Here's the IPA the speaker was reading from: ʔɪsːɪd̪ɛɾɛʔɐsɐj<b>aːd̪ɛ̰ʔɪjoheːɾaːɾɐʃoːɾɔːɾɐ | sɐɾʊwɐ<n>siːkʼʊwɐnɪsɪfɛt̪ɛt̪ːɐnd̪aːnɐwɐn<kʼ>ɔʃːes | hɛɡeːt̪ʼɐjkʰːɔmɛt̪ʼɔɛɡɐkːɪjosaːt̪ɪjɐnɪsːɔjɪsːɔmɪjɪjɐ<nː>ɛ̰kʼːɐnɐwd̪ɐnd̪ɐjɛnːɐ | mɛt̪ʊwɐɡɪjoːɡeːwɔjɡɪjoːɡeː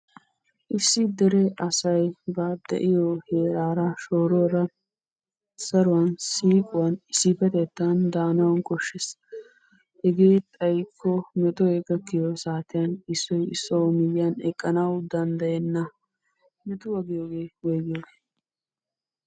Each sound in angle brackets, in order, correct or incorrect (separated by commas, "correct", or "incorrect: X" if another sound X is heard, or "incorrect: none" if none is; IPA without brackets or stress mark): correct, correct, correct, incorrect: n